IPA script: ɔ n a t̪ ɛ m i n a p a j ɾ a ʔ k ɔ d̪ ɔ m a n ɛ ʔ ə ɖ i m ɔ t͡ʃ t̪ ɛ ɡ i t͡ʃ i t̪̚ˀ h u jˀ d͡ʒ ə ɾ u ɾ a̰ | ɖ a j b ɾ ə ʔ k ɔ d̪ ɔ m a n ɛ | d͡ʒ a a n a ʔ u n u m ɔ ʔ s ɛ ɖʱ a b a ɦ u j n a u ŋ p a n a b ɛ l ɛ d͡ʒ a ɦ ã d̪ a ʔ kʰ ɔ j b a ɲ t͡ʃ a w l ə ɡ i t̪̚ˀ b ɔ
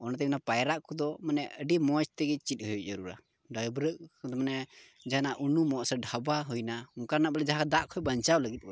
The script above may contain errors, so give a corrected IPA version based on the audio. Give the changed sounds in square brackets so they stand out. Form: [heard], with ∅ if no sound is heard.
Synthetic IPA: ɔ n a t̪ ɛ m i n a p a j ɾ a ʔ k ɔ d̪ ɔ m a n ɛ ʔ ə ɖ i m ɔ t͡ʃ t̪ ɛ ɡ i t͡ʃ i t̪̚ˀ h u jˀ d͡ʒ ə ɾ u ɾ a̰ | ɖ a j b ɾ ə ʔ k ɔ d̪ ɔ m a n ɛ | d͡ʒ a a n a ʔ u n u m ɔ ʔ s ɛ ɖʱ a b a ɦ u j n a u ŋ [k] a n a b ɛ l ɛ d͡ʒ a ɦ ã d̪ a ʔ kʰ ɔ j b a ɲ t͡ʃ a w l ə ɡ i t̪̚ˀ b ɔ